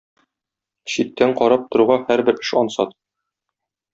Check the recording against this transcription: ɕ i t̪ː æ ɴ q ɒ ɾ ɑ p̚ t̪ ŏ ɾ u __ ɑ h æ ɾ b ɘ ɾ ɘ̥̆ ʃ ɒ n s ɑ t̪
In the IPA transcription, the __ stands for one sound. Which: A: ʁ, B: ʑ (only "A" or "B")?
A